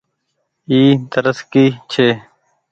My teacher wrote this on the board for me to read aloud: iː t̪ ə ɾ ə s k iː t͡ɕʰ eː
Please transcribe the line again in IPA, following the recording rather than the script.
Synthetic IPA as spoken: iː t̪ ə ɾ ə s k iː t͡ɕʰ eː